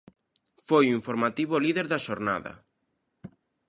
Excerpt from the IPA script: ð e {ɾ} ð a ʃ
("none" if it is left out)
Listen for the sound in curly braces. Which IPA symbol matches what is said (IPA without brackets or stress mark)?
ɾ